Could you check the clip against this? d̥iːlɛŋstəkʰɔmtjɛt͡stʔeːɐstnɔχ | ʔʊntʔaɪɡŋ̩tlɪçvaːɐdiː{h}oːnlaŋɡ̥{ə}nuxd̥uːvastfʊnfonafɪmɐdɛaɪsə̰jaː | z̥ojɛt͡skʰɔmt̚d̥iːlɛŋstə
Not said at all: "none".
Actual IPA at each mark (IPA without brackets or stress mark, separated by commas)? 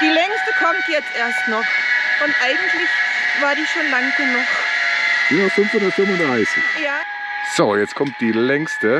ʃ, ə